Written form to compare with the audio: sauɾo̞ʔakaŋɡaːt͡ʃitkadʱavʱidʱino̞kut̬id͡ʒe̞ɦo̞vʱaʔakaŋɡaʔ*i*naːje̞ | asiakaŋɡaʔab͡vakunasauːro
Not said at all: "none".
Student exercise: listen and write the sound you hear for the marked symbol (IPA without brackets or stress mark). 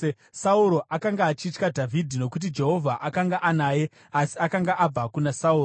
a